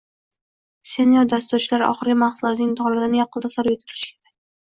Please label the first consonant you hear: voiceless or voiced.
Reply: voiceless